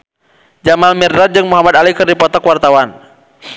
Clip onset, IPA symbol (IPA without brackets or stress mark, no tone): d͡ʒ